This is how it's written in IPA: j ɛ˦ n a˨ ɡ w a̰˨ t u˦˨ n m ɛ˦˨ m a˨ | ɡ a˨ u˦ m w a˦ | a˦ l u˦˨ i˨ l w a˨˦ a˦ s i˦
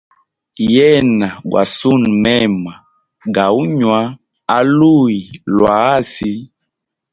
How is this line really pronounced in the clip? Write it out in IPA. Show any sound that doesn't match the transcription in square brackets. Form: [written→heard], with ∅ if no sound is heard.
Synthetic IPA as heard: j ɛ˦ n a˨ ɡ w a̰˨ [t→s] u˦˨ n m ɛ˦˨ m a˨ | ɡ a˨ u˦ [m→ɲ] w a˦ | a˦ l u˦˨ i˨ l w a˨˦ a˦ s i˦

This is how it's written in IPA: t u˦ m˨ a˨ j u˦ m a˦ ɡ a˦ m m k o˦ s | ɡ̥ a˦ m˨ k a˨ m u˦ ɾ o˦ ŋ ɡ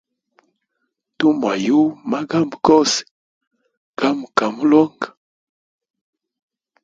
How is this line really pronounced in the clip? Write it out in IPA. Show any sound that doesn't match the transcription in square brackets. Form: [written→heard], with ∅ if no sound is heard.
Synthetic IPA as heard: t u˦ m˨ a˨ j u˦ m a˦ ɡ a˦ m [m→b] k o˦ s | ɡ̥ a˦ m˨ k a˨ m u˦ [ɾ→l] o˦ ŋ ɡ

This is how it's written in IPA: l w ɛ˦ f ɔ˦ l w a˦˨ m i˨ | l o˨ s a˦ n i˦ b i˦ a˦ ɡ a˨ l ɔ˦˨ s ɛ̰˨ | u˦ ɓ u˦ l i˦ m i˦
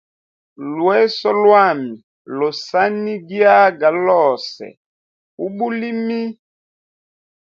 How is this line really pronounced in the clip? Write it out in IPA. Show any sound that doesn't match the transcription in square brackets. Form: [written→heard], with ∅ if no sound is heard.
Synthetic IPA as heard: l w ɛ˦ [f→s] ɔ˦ l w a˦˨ m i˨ | l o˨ s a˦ n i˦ [b→ɡ] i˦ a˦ ɡ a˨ l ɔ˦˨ s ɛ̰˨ | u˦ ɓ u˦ l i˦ m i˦

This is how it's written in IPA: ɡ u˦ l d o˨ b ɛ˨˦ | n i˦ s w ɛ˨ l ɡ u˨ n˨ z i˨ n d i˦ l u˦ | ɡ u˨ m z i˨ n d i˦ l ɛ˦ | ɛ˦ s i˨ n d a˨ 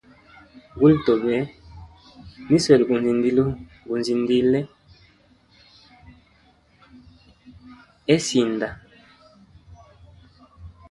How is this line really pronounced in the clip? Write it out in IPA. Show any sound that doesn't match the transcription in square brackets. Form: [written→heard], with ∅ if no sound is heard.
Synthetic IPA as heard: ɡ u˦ l [d→t] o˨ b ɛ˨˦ | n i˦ s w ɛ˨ l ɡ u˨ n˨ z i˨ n d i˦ l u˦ | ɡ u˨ [m→n] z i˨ n d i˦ l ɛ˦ | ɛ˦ s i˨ n d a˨

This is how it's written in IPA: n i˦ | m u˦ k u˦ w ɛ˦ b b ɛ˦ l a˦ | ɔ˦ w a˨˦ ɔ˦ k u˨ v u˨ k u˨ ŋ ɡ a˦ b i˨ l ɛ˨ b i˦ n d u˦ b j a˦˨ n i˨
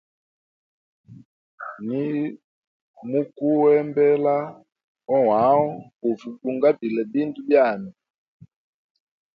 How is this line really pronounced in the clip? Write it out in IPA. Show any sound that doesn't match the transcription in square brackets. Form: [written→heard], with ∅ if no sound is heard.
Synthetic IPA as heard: n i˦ | m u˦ k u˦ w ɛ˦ [b→m] b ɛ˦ l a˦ | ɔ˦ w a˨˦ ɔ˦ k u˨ v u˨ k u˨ ŋ ɡ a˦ b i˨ l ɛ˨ b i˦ n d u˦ b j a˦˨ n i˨

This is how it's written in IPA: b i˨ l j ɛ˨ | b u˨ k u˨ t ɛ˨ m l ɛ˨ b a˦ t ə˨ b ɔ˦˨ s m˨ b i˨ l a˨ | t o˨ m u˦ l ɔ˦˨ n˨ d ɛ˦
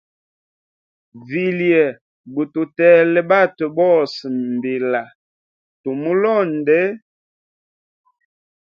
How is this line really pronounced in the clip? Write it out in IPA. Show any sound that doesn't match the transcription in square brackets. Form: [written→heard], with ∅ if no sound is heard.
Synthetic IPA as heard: [b→v] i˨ l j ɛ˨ | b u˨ [k→t] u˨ t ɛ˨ [m→∅] l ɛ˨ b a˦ t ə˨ b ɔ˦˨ s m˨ b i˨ l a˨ | t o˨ m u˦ l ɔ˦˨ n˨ d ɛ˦

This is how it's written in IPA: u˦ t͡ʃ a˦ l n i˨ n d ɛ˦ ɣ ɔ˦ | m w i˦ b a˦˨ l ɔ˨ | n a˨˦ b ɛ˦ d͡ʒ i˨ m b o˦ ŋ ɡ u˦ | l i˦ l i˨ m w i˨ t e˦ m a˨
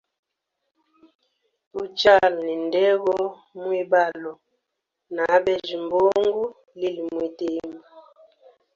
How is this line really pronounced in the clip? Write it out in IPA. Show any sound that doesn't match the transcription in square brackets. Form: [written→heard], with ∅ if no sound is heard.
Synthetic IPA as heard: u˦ t͡ʃ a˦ l n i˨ n d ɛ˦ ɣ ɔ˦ | m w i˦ b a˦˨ l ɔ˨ | n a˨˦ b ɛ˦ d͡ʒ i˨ m b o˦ ŋ ɡ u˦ | l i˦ l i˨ m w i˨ t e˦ m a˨

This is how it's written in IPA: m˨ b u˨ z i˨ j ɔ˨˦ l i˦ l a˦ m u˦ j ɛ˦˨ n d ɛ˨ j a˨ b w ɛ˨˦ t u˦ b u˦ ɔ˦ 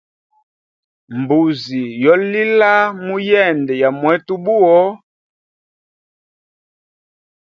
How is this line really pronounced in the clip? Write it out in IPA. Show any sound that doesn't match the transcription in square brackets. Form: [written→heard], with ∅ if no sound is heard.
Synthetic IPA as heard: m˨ b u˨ z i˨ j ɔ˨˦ l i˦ l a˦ m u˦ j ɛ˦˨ n d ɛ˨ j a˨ [b→m] w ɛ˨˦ t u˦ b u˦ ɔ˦

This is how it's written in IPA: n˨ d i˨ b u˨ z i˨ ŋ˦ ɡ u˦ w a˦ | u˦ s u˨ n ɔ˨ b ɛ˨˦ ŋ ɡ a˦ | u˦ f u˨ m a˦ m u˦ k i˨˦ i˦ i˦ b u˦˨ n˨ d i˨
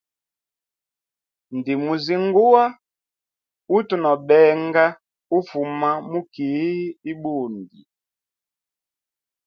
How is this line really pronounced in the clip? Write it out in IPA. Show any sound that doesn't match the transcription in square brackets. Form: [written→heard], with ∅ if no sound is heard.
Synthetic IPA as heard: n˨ d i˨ [b→m] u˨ z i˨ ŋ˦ ɡ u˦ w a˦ | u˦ [s→t] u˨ n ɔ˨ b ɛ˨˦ ŋ ɡ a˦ | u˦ f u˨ m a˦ m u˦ k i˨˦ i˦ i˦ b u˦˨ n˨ d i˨

